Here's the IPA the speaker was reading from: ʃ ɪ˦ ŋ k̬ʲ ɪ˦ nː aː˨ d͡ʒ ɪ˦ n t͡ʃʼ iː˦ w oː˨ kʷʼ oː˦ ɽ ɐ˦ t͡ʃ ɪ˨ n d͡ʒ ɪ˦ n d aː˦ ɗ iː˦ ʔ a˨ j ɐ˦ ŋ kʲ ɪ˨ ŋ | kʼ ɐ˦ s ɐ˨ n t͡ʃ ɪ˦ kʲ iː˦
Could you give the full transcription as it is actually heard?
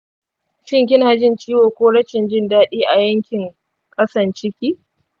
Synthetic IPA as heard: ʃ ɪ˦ ŋ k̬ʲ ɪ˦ n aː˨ d͡ʒ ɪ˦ n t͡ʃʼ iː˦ w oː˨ kʷ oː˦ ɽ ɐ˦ t͡ʃ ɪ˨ n d͡ʒ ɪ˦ n d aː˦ ɗ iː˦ ʔ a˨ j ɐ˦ ŋ kʲ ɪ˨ ŋ | kʼ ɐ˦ s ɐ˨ n t͡ʃ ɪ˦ kʲ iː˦